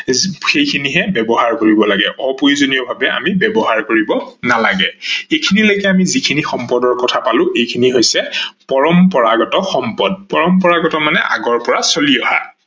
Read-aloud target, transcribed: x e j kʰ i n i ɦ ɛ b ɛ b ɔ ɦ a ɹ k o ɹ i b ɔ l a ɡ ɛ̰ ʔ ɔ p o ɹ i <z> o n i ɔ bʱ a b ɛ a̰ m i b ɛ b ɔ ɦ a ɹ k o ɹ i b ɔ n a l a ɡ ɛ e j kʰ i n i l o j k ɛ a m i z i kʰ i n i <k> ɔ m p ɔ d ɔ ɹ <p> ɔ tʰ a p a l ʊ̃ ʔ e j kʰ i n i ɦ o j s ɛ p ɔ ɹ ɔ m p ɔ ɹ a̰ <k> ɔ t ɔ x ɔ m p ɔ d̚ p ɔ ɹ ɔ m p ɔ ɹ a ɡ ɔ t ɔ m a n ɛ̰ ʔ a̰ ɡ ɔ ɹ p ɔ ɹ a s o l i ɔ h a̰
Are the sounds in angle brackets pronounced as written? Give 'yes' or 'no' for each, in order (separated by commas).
yes, no, no, no